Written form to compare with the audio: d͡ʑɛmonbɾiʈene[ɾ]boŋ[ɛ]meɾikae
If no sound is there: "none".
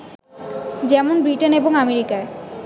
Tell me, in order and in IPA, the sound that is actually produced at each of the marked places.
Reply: none, a

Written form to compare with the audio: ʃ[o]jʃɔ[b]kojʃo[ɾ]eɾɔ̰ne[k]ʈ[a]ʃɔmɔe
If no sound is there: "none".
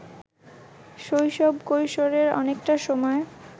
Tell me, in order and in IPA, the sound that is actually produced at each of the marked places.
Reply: o, b, ɾ, k, a

